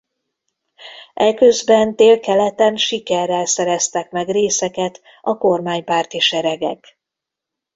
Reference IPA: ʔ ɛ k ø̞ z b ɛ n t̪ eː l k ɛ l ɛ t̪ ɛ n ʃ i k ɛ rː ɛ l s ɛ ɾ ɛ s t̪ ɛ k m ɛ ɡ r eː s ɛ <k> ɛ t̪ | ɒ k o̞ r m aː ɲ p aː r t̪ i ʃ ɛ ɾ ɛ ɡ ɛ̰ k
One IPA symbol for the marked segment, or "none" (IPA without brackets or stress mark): k